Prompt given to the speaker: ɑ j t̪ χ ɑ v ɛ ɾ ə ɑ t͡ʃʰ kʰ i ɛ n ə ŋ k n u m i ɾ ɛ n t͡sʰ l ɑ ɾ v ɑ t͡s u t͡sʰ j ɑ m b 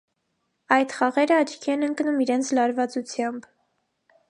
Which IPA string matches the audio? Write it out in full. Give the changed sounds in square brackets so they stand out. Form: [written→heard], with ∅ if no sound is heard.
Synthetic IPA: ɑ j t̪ χ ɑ [v→ʁ] ɛ ɾ ə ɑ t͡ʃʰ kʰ i ɛ n ə ŋ k n u m i ɾ ɛ n t͡sʰ l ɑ ɾ v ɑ t͡s u t͡sʰ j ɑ m b